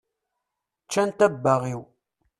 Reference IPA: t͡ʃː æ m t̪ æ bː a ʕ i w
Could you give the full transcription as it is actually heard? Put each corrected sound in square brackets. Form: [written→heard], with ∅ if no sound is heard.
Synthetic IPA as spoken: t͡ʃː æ [m→n] t̪ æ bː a [ʕ→ʁ] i w